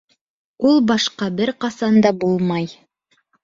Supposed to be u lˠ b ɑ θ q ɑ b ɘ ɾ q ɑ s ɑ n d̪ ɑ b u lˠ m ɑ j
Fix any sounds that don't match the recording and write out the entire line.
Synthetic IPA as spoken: u lˠ b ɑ ʃ q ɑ b ɘ ɾ q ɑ s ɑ n d̪ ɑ b u lˠ m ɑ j

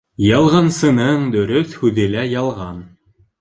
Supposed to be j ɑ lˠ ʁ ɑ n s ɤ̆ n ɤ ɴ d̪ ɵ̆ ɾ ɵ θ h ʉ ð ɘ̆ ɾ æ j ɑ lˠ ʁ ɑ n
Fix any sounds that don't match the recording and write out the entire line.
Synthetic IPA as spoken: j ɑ lˠ ʁ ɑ n s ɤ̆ n ɤ ɴ d̪ ɵ̆ ɾ ɵ θ h ʉ ð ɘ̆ l æ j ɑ lˠ ʁ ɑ n

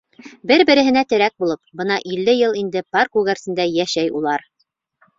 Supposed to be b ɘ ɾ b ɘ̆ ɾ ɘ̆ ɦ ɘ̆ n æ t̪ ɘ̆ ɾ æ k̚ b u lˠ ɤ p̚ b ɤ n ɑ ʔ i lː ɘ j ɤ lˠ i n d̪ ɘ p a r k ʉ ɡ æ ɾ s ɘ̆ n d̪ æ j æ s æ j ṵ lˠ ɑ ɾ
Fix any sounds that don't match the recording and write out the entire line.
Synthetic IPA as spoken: b ɘ ɾ b ɘ̆ ɾ ɘ̆ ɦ ɘ̆ n æ t̪ ɘ̆ ɾ æ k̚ b u lˠ ɤ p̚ b ɤ n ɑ ʔ i lː ɘ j ɤ lˠ i n d̪ ɘ p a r k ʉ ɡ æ ɾ s ɘ̆ n d̪ æ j æ ʃ æ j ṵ lˠ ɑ ɾ

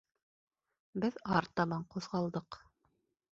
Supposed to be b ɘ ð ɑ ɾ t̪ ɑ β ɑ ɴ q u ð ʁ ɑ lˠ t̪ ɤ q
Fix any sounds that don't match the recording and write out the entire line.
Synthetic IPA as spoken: b ɘ ð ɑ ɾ t̪ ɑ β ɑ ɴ q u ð ʁ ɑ lˠ d̪ ɤ q

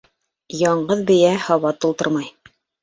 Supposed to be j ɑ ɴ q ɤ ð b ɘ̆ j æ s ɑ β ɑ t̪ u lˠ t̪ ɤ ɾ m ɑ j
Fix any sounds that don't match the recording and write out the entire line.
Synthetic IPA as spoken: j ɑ ɴ ɢ ɤ ð b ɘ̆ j æ h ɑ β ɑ t̪ u lˠ t̪ ɤ ɾ m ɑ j

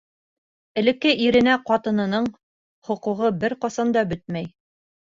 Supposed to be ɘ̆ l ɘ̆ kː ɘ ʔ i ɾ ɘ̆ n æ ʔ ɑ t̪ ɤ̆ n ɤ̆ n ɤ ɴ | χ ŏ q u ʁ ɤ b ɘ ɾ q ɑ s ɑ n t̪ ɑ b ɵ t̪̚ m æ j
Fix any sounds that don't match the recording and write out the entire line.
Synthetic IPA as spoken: ɘ̆ l ɘ̆ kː ɘ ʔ i ɾ ɘ̆ n æ q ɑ t̪ ɤ̆ n ɤ̆ n ɤ ɴ | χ ŏ q u ʁ ɤ b ɘ ɾ q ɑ s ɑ n d̪ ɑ b ɵ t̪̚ m æ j

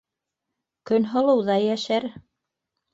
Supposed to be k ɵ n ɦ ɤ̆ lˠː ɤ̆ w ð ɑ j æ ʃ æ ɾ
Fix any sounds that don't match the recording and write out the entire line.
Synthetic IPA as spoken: k ɵ n ɦ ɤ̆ lˠ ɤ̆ w ð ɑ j æ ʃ æ ɾ

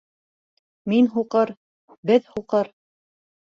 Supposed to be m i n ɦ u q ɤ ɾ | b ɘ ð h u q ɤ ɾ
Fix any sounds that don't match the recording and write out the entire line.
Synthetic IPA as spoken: m i n ɦ u q ɤ ɾ | b ɘ ð h u q ɤ ɾ

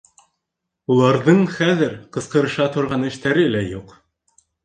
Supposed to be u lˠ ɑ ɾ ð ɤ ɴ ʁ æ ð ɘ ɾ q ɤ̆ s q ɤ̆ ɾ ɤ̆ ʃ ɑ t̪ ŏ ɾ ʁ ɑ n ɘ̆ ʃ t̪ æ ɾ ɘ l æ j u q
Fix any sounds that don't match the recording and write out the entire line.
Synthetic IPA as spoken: u lˠ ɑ ɾ ð ɤ ɴ χ æ ð ɘ ɾ q ɤ̆ s q ɤ̆ ɾ ɤ̆ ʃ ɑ t̪ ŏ ɾ ʁ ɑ n ɘ̆ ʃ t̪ æ ɾ ɘ l æ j u q

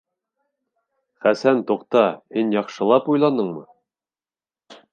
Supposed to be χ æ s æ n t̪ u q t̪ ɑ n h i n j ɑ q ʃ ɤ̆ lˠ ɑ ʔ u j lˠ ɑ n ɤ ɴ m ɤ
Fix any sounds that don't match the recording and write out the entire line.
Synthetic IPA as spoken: χ æ s æ n t̪ u q t̪ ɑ h i n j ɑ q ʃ ɤ̆ lˠ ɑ p u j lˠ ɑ n ɤ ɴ m ɤ

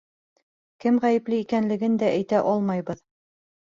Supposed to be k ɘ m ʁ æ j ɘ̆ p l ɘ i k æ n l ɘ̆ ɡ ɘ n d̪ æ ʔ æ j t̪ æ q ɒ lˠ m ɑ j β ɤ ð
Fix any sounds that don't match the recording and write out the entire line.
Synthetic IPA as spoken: k ɘ m ʁ æ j ɘ̆ p l ɘ i k æ n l ɘ̆ ɡ ɘ n d̪ æ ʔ æ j t̪ æ ʔ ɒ lˠ m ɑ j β ɤ ð

